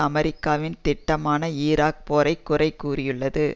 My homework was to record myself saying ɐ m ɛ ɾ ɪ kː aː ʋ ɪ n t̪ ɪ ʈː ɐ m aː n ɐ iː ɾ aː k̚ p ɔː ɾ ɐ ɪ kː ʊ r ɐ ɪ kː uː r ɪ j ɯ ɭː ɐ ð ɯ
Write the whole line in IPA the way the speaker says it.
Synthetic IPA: ɐ m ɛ ɾ ɪ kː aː ʋ ɪ n t̪ ɪ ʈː ɐ m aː n ɐ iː ɾ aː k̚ p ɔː ɾ ɐ ɪ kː ʊ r ɐ ɪ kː uː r ɪ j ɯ ɭː ɐ ð ɯ